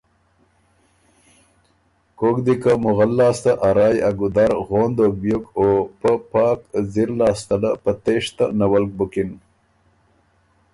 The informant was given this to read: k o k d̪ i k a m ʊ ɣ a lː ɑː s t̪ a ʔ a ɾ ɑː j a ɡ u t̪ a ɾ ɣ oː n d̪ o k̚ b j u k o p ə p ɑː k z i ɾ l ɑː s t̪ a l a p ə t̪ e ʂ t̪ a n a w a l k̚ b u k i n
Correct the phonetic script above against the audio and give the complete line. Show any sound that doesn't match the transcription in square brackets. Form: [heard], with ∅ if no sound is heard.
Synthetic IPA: k o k d̪ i k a m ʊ ɣ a lː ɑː s t̪ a ʔ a ɾ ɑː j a ɡ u [d̪] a ɾ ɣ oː n d̪ o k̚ b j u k o p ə p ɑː k z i ɾ l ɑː s t̪ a l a p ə t̪ e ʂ t̪ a n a w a l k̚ b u k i n